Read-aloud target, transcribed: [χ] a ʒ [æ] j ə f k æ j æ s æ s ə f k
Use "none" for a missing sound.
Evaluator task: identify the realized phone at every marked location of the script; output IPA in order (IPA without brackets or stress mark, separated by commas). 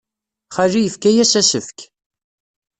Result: χ, i